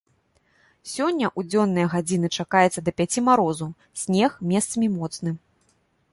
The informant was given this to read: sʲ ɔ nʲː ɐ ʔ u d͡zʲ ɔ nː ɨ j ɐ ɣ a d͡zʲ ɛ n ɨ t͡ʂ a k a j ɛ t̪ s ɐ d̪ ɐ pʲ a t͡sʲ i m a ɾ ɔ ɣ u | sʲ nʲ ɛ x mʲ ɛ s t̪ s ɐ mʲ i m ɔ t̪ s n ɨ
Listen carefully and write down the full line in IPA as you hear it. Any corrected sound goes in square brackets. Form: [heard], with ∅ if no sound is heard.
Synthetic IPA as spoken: sʲ ɔ nʲː ɐ ʔ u d͡zʲ ɔ nː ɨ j ɐ ɣ a d͡zʲ [i] n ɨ t͡ʂ a k a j ɛ t̪ s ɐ d̪ ɐ pʲ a t͡sʲ i m a ɾ ɔ [z] u | sʲ nʲ ɛ x mʲ ɛ s t̪ s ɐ mʲ i m ɔ t̪ s n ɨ